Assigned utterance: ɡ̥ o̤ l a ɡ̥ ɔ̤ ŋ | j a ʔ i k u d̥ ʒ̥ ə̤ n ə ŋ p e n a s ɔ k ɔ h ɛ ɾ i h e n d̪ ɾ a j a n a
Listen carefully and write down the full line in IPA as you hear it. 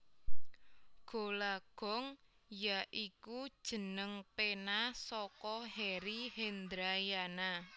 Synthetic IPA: ɡ̥ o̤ l a ɡ̥ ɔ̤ ŋ | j a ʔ i k u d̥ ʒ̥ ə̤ n ə ŋ p e n a s ɔ k ɔ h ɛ ɾ i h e n d̪ ɾ a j a n a